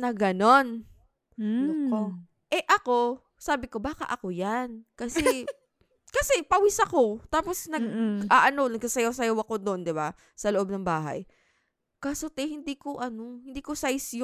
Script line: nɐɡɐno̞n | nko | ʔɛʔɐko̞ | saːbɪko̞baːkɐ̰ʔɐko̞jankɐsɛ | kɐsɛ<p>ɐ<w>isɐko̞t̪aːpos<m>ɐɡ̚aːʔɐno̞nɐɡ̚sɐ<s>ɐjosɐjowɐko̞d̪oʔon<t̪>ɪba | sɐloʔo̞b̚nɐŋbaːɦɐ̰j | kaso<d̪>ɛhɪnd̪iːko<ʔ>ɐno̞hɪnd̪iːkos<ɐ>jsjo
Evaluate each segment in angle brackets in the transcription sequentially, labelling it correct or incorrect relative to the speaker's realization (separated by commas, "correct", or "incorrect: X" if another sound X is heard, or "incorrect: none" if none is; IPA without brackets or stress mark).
correct, correct, incorrect: n, correct, incorrect: d̪, incorrect: t̪, correct, incorrect: a